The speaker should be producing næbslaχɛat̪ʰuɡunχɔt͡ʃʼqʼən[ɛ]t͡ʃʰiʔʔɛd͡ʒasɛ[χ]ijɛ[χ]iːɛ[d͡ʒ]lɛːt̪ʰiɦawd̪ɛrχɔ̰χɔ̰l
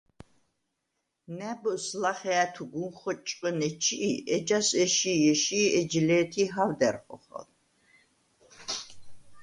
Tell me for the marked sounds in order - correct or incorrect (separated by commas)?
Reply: correct, incorrect, incorrect, correct